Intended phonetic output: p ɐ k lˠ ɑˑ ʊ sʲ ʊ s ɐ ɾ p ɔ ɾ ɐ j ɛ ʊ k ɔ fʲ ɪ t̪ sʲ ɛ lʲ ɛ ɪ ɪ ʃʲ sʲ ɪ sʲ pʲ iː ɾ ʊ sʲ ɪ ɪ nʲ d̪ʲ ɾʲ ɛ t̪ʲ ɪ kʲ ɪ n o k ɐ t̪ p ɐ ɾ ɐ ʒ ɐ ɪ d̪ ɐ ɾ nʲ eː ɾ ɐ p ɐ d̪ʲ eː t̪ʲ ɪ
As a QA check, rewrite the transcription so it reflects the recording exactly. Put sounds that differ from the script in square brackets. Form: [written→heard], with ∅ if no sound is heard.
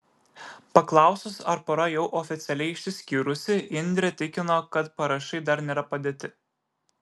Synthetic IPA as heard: p ɐ k lˠ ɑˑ ʊ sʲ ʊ s ɐ ɾ p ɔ ɾ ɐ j ɛ ʊ [k→ʔ] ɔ fʲ ɪ t̪ sʲ ɛ lʲ ɛ ɪ ɪ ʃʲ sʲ ɪ sʲ [pʲ→kʲ] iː ɾ ʊ sʲ ɪ ɪ nʲ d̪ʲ ɾʲ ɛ t̪ʲ ɪ kʲ ɪ n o k ɐ t̪ p ɐ ɾ ɐ [ʒ→ʃ] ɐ ɪ d̪ ɐ ɾ nʲ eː ɾ ɐ p ɐ d̪ʲ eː t̪ʲ ɪ